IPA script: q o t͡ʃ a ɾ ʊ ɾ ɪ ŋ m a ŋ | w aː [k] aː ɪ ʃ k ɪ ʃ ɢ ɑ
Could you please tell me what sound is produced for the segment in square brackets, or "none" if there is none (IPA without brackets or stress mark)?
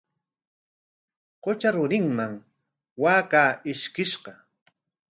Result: k